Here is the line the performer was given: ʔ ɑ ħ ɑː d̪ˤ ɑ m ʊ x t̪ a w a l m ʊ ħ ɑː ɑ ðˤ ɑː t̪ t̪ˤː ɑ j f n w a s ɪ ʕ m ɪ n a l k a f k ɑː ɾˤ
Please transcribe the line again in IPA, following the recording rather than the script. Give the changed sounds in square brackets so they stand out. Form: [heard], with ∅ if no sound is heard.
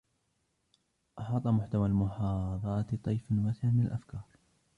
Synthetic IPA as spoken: ʔ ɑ ħ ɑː [t̪ˤ] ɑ m ʊ [ħ] t̪ a w a l m ʊ ħ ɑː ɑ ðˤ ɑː t̪ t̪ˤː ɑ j f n w a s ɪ ʕ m ɪ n a l [ʔ] a f k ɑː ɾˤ